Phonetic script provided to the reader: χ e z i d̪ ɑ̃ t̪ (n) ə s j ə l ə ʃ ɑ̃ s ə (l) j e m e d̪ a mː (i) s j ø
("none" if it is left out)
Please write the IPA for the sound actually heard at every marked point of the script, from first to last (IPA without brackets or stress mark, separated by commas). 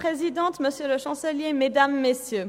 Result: m, l, e